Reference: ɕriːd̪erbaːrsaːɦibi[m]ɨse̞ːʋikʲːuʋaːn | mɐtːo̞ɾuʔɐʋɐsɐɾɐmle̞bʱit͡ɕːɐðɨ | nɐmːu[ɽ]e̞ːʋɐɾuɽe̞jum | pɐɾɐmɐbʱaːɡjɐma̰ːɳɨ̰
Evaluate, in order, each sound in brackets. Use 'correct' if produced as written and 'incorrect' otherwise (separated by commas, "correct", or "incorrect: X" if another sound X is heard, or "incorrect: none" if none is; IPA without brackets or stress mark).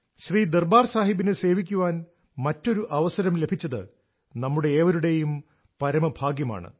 incorrect: n, correct